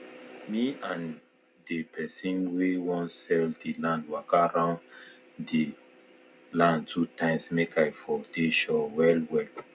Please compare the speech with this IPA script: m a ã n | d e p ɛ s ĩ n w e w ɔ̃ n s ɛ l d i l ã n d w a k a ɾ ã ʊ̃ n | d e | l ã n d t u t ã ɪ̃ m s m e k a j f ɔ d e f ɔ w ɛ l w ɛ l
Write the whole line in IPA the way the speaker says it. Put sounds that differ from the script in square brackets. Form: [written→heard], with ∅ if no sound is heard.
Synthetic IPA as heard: m [a→i] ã n | d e p ɛ s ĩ n w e w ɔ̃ n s ɛ l d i l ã n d w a k a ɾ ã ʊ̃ n | d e | l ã n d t u t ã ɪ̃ m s m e k a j f ɔ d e [f→ʃ] ɔ w ɛ l w ɛ l